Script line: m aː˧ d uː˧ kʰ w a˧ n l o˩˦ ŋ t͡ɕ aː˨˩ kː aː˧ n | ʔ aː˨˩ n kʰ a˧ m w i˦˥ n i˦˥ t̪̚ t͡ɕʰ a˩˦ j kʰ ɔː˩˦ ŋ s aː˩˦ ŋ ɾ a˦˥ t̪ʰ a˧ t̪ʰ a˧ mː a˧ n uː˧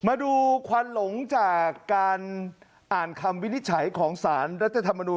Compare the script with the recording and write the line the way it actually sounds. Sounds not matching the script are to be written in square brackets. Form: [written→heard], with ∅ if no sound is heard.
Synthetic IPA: m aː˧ d uː˧ kʰ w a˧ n l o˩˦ ŋ t͡ɕ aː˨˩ kː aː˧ n | ʔ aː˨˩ n kʰ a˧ m w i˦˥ n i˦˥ t̪̚ t͡ɕʰ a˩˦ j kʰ ɔː˩˦ ŋ s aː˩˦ [ŋ→n] ɾ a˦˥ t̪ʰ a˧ t̪ʰ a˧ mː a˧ n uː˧